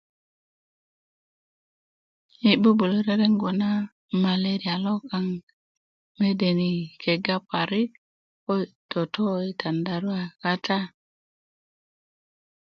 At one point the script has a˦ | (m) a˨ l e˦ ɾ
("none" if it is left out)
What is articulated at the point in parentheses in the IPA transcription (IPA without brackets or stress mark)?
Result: m